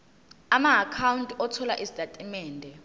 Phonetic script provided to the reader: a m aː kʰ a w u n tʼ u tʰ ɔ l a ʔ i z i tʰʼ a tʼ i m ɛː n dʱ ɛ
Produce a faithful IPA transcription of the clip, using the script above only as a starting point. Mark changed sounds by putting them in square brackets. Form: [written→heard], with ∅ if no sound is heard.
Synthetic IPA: a m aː kʰ a w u n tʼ [u→ɔ] tʰ ɔ l a ʔ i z i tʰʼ a tʼ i m ɛː n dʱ ɛ